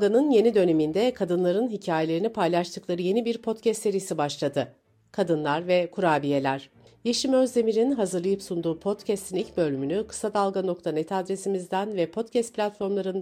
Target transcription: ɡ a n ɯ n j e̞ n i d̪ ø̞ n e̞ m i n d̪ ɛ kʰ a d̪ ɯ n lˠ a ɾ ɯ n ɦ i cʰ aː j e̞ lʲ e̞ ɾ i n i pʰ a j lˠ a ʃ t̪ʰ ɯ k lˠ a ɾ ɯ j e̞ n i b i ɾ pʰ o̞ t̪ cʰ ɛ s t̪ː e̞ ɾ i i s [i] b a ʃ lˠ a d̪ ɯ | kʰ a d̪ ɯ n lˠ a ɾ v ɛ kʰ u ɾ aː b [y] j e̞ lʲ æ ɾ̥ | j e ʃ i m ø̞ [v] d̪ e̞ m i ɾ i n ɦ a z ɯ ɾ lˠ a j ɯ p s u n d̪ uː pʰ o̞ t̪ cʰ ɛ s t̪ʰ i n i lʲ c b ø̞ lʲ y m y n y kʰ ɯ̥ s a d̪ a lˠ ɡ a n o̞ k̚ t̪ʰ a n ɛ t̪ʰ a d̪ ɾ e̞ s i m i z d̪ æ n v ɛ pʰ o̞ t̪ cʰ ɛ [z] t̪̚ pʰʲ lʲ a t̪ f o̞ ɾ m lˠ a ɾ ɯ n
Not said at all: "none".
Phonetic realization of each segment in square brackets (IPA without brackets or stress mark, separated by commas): i, i, z, s